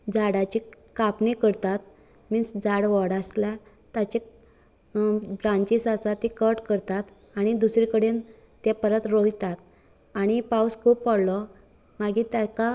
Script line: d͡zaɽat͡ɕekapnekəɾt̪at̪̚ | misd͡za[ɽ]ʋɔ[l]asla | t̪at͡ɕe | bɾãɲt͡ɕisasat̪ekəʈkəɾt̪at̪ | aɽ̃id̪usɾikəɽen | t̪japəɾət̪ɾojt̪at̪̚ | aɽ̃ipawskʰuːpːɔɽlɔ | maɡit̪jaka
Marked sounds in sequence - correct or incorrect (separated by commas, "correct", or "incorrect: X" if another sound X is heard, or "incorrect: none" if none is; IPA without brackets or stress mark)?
correct, incorrect: ɽ